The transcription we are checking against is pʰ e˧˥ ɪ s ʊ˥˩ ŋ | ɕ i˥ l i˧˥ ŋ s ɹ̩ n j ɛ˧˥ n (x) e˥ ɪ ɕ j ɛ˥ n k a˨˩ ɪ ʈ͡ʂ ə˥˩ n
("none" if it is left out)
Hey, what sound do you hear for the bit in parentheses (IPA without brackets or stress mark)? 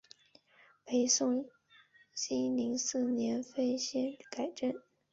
f